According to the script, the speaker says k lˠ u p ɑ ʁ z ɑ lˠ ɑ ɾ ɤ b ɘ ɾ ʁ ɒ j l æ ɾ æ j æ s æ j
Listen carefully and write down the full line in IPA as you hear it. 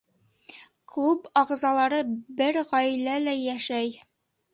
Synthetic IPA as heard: k lˠ u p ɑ ʁ z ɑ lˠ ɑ ɾ ɤ b ɘ ɾ ʁ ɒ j l æ l æ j æ ʃ æ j